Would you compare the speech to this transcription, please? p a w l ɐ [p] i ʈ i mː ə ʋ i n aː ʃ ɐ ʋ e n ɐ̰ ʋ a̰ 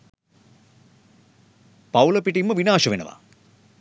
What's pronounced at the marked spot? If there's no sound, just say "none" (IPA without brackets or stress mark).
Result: p